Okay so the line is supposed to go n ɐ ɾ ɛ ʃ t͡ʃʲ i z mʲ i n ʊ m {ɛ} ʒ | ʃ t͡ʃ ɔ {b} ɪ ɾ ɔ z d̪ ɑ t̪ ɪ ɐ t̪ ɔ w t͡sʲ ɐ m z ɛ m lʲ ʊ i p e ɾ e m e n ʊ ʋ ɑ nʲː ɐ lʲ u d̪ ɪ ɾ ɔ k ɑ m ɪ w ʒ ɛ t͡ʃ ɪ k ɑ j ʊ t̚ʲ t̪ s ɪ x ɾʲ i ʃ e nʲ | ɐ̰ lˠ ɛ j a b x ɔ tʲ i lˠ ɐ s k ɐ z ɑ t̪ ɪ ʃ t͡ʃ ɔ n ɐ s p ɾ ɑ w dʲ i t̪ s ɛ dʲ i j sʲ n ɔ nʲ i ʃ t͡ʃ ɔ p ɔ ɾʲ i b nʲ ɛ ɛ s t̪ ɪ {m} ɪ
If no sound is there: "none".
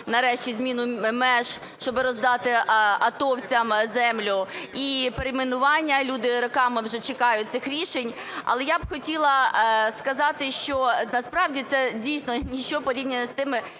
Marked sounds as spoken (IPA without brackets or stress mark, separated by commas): ɛ, b, m